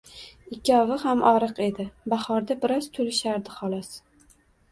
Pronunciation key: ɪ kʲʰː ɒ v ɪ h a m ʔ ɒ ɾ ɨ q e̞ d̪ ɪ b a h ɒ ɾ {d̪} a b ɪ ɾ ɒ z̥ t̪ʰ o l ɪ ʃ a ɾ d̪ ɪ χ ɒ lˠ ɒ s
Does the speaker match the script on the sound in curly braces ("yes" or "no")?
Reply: yes